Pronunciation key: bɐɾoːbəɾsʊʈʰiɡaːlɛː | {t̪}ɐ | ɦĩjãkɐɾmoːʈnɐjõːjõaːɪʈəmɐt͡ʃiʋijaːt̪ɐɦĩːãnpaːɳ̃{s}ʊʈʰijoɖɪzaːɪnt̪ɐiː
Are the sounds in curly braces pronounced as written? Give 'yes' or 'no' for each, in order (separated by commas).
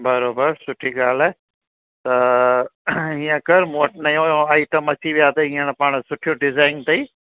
yes, yes